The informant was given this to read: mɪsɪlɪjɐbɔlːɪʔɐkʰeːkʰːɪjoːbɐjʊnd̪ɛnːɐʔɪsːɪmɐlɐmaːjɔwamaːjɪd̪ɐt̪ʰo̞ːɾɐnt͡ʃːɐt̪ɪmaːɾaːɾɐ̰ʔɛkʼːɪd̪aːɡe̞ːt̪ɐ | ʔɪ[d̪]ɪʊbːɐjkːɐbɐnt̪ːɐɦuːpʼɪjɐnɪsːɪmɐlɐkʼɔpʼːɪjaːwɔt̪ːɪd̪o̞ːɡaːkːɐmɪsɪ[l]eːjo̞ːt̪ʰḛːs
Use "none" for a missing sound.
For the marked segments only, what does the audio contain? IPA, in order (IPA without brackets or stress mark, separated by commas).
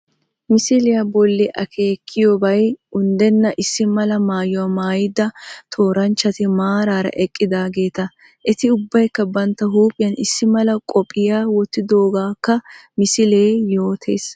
t̪, l